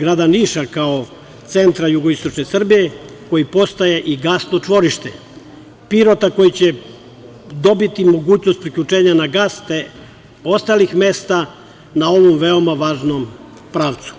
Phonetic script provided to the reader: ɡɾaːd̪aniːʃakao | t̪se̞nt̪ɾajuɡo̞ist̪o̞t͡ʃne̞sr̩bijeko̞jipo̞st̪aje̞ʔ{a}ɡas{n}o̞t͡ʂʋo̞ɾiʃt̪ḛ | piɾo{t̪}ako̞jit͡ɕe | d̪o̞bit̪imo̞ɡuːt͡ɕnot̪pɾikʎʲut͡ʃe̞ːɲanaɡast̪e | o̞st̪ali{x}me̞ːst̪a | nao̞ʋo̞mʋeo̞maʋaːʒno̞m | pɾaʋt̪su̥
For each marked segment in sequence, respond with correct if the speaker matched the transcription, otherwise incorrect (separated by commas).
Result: incorrect, correct, correct, correct